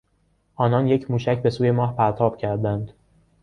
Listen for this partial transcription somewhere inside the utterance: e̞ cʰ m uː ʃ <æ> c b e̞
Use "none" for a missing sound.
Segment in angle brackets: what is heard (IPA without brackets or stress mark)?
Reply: æ